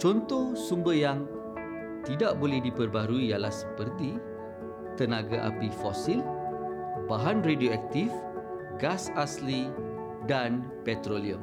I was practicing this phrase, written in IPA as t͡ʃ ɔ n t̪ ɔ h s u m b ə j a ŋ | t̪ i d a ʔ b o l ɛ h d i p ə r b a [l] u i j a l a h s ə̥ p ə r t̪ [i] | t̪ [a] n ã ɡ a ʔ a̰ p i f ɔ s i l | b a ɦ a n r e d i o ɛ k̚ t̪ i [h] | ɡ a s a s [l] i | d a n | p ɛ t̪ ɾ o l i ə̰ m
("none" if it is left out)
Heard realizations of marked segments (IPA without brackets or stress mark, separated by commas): ɾ, i, ə, f, l